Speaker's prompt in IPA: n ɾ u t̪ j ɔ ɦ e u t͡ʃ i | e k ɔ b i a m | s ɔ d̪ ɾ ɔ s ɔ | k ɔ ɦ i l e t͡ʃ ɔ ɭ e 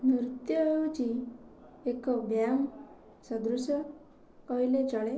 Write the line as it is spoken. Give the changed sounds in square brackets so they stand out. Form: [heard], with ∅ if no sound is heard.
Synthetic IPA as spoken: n ɾ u t̪ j ɔ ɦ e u t͡ʃ i | e k ɔ b [j] a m | s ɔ d̪ ɾ [u] s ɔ | k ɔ ɦ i l e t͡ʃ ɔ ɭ e